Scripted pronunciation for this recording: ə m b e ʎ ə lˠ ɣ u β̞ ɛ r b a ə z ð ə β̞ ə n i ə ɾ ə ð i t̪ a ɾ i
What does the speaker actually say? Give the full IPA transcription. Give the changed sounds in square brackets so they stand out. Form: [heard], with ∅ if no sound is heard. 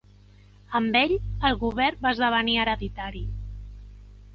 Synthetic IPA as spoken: ə m b e ʎ ə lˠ ɣ u β̞ ɛ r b a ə z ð ə β̞ ə n i ə ɾ ə ð i t̪ a ɾ i